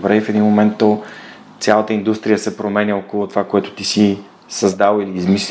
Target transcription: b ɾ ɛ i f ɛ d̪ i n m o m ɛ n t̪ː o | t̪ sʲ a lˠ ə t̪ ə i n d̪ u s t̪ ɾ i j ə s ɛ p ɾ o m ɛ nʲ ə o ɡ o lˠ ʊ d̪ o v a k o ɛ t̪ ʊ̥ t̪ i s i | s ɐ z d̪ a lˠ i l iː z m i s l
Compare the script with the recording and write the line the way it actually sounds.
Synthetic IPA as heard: b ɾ ɛ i f ɛ d̪ i n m o m ɛ n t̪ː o | t̪ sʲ a lˠ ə t̪ ə i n d̪ u s t̪ ɾ i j ə s ɛ p ɾ o m ɛ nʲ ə o k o lˠ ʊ t̪ o v a k o ɛ t̪ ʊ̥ t̪ i s i | s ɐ z d̪ a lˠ i l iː z m i s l